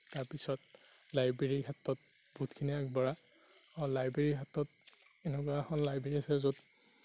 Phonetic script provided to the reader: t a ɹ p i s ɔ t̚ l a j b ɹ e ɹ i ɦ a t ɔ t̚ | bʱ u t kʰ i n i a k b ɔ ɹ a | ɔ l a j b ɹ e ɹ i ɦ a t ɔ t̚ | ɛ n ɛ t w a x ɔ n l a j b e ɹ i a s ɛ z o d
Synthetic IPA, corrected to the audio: t a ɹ p i s ɔ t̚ l a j b ɹ e ɹ i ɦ a t ɔ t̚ | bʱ u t kʰ i n i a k b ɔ ɹ a | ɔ l a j b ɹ e ɹ i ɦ a t ɔ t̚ | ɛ n ɛ k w a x ɔ n l a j b e ɹ i a s ɛ z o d